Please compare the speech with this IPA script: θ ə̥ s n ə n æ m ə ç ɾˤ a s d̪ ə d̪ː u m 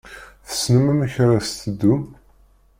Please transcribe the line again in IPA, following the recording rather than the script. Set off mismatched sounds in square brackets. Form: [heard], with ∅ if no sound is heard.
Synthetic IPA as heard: θ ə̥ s n ə [m] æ m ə ç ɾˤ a s [t̪] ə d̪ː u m